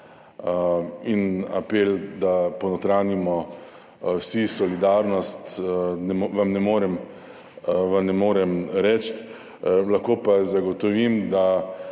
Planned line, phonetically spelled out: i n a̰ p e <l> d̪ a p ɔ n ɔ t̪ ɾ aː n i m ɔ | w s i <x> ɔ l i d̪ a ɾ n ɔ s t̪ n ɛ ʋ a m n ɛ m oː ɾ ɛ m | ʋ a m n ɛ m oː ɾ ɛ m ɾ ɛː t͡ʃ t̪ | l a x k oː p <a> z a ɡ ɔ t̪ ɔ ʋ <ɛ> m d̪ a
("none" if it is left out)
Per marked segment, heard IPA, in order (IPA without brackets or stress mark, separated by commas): l, s, a, i